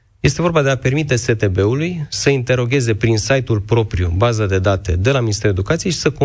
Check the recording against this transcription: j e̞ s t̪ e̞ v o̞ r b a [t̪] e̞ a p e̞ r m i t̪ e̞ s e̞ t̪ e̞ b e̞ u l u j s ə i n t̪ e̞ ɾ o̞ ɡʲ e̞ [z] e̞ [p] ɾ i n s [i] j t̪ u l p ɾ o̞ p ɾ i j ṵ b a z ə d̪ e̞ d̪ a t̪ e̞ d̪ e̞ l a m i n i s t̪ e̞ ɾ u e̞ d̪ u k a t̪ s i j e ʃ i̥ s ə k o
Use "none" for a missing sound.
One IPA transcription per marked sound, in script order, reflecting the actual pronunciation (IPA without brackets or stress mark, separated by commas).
d̪, z, p, a